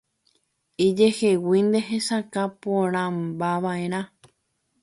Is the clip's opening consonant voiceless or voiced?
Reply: voiced